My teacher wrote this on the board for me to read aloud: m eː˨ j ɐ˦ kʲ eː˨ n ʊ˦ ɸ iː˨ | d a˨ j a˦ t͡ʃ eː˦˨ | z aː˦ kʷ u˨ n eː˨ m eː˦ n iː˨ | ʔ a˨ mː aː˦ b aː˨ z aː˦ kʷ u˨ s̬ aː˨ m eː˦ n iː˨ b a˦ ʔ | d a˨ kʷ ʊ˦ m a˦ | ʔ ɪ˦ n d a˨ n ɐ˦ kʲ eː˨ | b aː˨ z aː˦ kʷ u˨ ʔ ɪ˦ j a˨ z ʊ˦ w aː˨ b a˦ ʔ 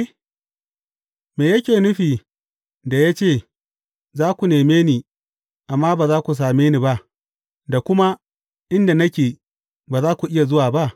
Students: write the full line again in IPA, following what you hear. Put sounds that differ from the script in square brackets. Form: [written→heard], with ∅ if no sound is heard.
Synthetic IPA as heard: m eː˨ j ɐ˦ kʲ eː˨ n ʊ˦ ɸ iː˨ | d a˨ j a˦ t͡ʃ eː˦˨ | z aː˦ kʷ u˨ n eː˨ m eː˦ n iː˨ | ʔ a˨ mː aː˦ b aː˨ z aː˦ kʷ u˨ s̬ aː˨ m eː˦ n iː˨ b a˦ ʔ | d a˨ kʷ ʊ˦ m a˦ | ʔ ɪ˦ n d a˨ n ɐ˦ kʲ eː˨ | b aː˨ z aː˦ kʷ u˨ ʔ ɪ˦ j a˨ z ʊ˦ w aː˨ b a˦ ʔ